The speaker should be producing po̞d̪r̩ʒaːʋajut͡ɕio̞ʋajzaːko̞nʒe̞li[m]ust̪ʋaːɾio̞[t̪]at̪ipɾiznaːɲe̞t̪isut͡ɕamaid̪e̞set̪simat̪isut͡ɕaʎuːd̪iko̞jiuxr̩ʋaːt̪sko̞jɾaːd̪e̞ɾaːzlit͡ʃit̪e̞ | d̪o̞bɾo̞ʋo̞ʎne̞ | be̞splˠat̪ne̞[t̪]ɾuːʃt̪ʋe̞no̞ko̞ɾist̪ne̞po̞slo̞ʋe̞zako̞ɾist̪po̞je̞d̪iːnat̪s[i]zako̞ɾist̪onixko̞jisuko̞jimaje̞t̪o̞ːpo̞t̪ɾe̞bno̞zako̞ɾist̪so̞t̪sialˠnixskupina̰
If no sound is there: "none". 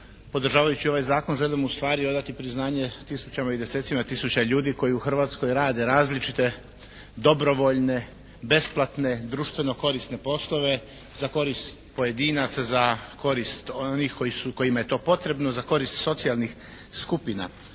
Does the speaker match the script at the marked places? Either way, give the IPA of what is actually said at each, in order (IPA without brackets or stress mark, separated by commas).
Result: m, d̪, d̪, a